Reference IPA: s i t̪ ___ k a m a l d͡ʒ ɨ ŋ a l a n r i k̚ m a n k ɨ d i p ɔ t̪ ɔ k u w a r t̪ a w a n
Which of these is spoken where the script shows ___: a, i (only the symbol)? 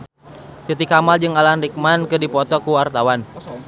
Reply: i